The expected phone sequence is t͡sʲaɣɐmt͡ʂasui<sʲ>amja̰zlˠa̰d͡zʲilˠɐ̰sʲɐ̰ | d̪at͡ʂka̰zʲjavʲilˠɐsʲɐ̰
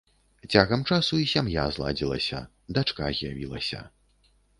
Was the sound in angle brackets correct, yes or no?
yes